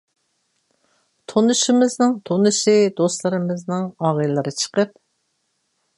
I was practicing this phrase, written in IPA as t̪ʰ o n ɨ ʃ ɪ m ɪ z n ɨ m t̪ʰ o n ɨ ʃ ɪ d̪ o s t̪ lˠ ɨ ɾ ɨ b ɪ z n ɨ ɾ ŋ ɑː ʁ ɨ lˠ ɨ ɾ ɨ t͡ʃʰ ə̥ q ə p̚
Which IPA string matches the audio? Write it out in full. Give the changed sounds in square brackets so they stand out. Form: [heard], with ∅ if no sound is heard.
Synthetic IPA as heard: t̪ʰ o n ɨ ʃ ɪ m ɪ z n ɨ [ŋ] t̪ʰ o n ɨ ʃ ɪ d̪ o s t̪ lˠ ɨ ɾ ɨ [m] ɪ z n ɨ [∅] ŋ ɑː ʁ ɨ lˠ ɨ ɾ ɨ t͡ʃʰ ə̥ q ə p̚